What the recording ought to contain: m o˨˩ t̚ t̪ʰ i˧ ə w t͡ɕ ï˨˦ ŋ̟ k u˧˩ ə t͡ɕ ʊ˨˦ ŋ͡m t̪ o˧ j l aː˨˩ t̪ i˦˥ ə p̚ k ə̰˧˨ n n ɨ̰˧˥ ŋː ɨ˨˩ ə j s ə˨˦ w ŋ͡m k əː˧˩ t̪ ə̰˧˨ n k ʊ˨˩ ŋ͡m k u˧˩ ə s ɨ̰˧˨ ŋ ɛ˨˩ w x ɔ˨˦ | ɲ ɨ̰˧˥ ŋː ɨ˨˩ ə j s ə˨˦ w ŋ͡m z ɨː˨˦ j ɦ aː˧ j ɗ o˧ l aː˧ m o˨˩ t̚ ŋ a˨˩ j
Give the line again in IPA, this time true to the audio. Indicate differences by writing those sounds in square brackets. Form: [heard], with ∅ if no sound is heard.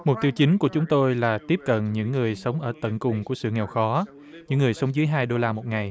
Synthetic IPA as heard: m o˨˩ t̚ [t̪] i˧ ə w t͡ɕ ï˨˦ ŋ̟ k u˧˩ ə t͡ɕ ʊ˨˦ ŋ͡m t̪ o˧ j l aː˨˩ t̪ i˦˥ ə p̚ k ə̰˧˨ n [ɲ] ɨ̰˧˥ ŋː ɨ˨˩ ə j s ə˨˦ w ŋ͡m [ʔ] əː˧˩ t̪ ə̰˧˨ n k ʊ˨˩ ŋ͡m k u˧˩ ə s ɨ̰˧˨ ŋ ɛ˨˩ w x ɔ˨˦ | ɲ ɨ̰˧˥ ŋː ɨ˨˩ ə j s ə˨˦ w ŋ͡m z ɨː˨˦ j ɦ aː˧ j ɗ o˧ l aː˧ m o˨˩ t̚ ŋ a˨˩ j